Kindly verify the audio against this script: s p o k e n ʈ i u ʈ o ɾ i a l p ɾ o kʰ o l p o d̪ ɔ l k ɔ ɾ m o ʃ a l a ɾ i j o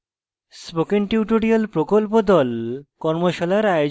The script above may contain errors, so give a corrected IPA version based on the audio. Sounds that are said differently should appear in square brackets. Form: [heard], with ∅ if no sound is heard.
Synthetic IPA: s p o k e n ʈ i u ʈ o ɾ i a l p ɾ o [k] o l p o d̪ ɔ l k ɔ ɾ m o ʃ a l a ɾ [a] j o